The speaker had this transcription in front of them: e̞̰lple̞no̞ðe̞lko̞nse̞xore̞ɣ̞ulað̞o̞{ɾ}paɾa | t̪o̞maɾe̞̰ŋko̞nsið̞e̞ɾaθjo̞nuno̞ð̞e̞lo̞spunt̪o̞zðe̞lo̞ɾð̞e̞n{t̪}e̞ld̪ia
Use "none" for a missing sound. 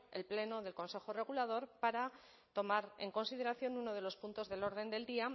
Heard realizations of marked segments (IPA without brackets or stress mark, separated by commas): ɾ, d̪